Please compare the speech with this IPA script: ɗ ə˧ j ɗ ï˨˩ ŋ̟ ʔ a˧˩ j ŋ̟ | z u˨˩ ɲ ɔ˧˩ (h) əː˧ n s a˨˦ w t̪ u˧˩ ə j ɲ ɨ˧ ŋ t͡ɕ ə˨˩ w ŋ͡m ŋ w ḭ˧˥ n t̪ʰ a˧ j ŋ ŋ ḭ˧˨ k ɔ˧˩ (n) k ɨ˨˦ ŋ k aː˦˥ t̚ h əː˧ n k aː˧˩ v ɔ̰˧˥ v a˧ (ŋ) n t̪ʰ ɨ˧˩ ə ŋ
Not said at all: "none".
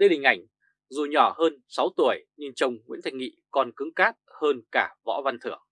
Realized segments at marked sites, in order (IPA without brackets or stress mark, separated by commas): h, n, none